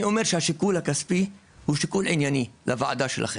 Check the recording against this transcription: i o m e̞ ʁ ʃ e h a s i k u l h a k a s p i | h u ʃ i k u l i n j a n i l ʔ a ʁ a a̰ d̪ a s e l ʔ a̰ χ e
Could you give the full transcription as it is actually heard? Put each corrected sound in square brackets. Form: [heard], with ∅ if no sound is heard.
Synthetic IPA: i o m e̞ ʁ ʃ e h a [ʃ] i k u l h a k a s p i | h u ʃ i k u l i n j a n i l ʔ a [v] a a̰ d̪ a [ʃ] e l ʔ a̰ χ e